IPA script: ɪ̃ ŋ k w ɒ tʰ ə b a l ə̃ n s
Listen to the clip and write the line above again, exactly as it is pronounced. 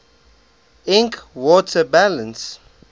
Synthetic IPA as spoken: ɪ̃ ŋ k w ɔ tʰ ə b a l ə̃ n s